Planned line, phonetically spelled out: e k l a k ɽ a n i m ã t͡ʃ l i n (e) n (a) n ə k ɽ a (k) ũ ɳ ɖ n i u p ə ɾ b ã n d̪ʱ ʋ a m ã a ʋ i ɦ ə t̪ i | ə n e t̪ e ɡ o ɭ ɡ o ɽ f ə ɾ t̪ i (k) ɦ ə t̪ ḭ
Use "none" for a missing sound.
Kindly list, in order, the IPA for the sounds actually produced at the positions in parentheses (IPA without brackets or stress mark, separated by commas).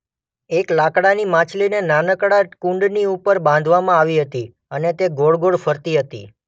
e, a, k, none